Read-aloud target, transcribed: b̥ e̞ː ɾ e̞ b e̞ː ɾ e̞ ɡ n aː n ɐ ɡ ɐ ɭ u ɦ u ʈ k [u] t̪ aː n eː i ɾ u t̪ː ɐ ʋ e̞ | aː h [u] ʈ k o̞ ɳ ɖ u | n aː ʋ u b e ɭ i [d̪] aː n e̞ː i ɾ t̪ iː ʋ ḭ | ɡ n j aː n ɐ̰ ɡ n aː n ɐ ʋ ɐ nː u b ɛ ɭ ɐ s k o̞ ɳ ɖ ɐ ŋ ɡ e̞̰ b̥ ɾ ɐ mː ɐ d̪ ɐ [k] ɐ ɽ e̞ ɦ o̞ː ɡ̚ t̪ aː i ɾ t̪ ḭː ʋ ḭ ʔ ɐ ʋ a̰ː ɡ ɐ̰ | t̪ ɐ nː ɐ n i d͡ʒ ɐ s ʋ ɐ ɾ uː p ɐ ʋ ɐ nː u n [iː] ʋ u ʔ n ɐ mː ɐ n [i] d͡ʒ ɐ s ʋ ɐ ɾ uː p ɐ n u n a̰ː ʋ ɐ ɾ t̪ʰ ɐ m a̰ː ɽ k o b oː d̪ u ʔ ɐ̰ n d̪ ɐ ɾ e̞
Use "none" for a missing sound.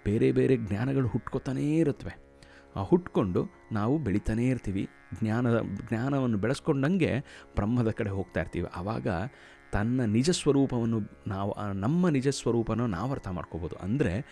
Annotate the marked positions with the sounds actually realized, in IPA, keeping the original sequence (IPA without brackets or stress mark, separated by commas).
o, u, t̪, k, aː, i